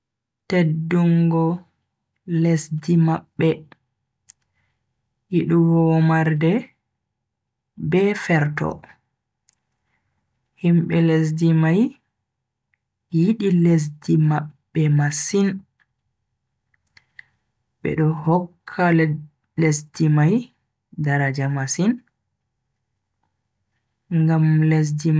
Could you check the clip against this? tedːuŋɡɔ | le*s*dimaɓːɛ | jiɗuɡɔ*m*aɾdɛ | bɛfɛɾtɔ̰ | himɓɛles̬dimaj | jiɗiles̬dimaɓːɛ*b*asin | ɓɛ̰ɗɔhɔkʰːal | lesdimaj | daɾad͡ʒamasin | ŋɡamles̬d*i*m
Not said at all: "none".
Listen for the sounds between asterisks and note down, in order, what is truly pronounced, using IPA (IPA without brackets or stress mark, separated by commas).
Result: s, m, m, i